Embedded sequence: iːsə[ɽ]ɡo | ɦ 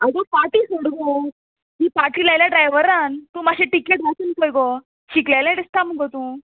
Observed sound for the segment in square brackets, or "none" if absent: ɽ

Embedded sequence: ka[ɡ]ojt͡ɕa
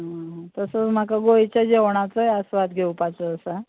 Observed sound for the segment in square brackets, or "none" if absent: ɡ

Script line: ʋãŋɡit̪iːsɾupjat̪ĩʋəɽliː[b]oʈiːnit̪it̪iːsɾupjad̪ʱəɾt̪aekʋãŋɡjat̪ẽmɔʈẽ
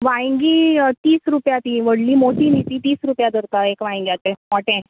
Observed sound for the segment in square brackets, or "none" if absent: m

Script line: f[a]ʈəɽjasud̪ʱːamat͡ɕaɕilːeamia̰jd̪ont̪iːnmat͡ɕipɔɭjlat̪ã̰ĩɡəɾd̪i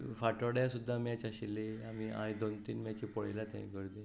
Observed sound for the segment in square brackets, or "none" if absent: a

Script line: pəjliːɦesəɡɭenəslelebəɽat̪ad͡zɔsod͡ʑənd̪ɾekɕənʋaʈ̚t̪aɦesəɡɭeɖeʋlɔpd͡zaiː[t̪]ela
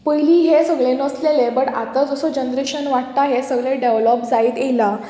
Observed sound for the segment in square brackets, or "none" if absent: t̪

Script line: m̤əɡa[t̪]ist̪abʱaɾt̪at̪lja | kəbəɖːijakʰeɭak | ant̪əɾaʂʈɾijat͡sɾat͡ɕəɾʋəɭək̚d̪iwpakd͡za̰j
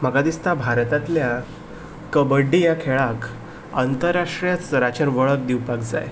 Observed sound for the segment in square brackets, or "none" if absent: d̪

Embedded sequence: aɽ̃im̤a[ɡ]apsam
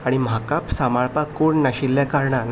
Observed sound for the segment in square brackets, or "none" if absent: k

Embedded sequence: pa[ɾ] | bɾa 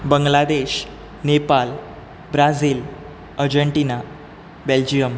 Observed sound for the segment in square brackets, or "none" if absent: l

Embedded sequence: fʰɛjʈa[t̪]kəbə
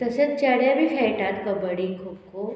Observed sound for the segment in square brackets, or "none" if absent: t̪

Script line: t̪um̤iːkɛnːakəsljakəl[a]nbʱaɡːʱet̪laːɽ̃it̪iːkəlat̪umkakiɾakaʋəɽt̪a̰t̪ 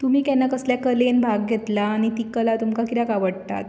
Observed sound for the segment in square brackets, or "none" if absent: e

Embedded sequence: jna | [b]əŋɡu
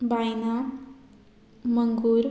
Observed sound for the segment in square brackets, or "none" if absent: m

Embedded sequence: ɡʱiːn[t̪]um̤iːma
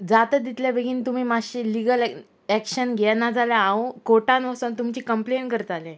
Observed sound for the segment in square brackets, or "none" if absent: t̪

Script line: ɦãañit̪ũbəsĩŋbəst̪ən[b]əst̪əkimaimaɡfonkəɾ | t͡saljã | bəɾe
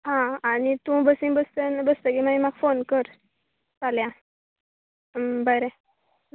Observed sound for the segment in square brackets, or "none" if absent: b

